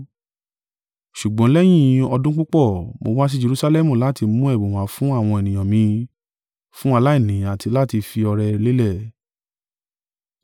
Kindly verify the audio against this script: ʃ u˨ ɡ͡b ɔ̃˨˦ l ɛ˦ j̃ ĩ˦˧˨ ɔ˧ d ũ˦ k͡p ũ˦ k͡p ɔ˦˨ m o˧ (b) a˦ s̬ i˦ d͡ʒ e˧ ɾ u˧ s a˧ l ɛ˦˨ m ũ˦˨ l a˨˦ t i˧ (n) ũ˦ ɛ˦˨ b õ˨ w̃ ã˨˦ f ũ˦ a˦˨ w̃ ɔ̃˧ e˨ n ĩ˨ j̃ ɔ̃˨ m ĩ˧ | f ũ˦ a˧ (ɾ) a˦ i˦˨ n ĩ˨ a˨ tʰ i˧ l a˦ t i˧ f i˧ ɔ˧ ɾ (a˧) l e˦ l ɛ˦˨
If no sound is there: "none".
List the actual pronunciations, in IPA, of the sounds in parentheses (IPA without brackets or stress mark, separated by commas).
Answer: w, m, l, ɛ˧